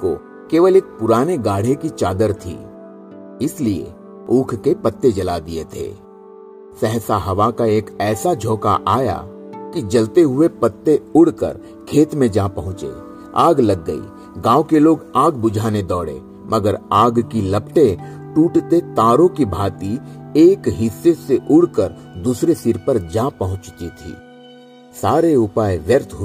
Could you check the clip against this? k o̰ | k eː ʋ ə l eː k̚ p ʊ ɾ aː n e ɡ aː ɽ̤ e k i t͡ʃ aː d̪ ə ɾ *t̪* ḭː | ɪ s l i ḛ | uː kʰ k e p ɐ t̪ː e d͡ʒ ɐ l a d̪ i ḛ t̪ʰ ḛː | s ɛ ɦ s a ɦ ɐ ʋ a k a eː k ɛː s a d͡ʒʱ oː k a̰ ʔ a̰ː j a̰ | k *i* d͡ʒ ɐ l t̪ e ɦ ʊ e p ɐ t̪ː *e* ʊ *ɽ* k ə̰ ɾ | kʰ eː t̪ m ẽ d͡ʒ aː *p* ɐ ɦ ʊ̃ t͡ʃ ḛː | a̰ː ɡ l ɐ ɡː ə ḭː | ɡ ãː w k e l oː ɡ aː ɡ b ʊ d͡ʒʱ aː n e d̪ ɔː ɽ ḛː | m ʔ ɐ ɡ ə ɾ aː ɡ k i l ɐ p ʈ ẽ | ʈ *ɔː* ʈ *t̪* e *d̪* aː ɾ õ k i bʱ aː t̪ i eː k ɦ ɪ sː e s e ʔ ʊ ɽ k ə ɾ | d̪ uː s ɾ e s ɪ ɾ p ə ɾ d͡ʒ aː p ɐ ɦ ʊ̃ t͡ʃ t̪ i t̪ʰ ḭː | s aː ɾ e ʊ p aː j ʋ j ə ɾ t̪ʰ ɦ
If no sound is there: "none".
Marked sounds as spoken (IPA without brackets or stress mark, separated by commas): t̪ʰ, i, e, ɽ, p, uː, t̪, t̪